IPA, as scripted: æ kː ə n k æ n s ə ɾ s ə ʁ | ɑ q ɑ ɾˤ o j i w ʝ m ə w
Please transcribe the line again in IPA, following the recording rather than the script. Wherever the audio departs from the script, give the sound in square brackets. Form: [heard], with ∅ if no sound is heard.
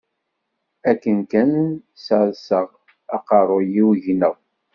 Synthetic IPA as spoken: æ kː ə n k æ n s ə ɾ s ə ʁ | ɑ q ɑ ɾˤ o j i w ʝ [n] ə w